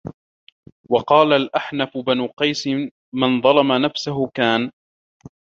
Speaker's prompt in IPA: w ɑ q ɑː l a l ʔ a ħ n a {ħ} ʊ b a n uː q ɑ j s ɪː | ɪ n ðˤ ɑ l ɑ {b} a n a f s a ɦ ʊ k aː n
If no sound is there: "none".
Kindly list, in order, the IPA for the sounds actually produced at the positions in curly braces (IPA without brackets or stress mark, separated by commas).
f, m